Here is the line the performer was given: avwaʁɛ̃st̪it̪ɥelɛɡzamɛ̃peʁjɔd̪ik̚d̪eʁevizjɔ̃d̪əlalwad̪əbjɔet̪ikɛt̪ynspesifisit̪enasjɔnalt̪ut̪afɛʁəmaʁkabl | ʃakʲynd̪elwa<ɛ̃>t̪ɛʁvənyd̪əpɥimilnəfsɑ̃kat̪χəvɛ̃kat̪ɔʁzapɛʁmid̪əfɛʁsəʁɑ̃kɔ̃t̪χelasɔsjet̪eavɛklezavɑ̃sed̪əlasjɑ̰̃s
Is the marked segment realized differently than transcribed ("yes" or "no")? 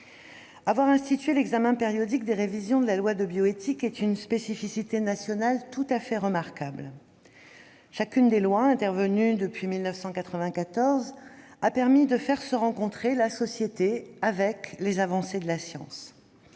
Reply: no